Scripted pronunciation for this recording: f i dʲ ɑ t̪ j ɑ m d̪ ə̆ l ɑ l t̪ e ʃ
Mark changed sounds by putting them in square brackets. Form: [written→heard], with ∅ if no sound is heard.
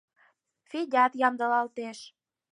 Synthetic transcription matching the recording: f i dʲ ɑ t̪ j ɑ m d̪ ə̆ l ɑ l t̪ e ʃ